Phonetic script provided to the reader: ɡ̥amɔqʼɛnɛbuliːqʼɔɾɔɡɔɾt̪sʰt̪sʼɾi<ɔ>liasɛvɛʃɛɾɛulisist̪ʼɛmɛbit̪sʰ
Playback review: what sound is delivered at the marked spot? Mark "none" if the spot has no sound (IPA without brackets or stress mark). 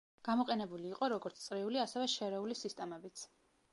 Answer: u